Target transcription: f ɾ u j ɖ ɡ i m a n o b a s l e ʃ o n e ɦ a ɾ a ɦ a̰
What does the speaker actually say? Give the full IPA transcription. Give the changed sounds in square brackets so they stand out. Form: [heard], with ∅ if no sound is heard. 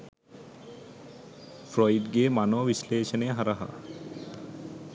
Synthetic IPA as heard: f ɾ [ɔ] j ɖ ɡ [e] m a n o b [i] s l e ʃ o n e ɦ a ɾ a ɦ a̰